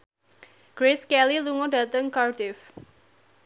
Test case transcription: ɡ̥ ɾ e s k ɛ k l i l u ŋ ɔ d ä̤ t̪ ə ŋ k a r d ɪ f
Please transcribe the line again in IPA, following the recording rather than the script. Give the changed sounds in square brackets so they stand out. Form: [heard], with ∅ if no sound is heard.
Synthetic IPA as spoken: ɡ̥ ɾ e s k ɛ [∅] l i l u ŋ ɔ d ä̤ t̪ ə ŋ k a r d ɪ f